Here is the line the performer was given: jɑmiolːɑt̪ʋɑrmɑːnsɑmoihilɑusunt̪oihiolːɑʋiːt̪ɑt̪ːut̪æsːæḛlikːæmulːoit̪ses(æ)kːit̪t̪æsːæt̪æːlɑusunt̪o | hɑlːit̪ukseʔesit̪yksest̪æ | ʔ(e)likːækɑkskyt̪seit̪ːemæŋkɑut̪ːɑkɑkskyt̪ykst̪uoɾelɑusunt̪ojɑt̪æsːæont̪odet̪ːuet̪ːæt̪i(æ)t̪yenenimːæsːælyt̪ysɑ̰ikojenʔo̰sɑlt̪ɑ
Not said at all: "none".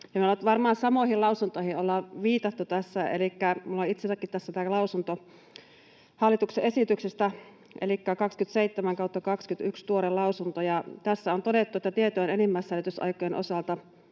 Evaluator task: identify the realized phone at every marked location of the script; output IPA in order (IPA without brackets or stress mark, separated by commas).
æ, e, e